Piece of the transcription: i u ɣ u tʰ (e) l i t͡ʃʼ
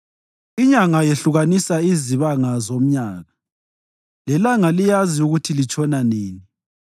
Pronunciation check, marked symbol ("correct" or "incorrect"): incorrect